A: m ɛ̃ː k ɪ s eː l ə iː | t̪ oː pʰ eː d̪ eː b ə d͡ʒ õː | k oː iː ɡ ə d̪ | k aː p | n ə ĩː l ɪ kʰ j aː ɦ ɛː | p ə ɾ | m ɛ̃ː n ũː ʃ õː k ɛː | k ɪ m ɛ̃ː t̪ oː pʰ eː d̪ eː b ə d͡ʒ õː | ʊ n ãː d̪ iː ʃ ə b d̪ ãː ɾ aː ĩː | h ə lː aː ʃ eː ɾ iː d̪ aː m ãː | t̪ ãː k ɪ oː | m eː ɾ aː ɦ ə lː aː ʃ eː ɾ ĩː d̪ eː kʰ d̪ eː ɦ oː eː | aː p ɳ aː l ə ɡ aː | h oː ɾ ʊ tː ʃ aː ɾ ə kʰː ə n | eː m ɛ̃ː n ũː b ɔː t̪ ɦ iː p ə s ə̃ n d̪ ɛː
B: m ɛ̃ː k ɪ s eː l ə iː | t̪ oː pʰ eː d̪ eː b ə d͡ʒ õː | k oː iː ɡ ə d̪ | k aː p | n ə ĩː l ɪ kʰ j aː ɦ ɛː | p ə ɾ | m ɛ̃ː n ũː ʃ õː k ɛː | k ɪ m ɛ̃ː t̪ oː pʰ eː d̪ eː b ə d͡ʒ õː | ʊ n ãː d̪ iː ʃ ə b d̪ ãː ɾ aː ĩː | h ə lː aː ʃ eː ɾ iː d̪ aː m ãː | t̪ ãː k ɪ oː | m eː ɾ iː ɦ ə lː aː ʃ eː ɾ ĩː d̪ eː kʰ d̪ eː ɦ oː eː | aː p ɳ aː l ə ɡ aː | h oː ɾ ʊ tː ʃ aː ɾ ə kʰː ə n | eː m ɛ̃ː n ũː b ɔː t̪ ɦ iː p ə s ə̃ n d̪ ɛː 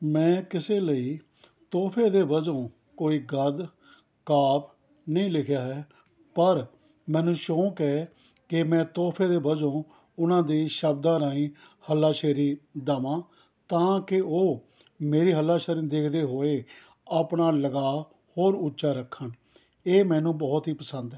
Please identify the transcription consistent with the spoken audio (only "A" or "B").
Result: B